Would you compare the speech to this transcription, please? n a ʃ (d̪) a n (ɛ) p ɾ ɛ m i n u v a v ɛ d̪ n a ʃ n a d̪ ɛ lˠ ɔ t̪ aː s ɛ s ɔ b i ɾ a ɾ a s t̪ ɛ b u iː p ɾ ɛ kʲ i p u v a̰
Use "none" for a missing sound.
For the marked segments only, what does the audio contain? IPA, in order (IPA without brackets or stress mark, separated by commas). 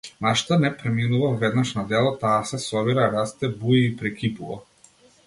t̪, ɛ